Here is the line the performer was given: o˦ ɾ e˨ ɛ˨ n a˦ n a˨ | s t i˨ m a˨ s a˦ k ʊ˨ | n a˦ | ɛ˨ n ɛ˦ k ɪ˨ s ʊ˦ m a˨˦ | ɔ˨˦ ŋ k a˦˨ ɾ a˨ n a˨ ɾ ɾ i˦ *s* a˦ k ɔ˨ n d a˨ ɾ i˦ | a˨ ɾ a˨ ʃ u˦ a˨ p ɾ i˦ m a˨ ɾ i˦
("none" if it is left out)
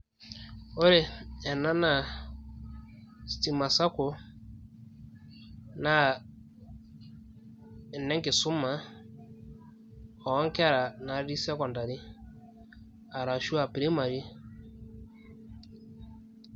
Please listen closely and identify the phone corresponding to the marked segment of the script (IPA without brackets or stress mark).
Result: s